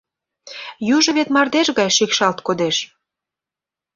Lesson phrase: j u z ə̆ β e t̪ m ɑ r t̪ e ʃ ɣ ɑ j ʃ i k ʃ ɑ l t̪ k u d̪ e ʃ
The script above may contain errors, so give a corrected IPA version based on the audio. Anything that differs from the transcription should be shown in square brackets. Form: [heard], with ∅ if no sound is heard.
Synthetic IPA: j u [ʒ] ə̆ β e t̪ m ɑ r [d̪] e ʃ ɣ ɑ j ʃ i k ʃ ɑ l t̪ k [o] d̪ e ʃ